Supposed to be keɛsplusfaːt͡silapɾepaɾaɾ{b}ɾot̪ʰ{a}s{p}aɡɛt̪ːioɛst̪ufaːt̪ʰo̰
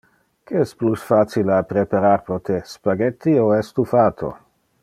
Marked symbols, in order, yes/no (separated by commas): no, no, yes